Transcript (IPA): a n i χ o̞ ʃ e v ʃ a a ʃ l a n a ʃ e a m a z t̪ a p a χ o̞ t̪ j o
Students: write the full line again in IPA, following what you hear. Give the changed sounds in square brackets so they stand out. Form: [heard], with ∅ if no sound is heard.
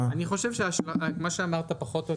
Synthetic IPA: a n i χ o̞ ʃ e v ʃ [e] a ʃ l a [m] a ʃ e a m a [ʁ] t̪ a p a χ o̞ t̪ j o